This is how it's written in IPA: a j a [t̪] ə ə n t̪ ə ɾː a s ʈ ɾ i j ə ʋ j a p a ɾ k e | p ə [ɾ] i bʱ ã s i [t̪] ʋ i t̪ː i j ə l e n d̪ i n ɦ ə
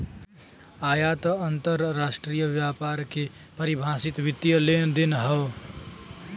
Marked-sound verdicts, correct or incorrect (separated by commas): correct, correct, correct